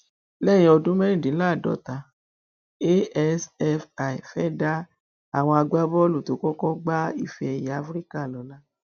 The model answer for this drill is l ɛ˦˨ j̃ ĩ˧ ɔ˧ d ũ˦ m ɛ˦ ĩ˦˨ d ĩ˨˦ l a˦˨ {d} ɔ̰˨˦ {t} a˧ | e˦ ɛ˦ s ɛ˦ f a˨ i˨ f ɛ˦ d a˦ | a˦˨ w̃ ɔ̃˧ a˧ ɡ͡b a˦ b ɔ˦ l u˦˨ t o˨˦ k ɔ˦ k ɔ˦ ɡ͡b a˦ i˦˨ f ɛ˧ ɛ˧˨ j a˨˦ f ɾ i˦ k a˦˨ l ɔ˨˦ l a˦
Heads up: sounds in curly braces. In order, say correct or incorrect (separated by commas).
correct, correct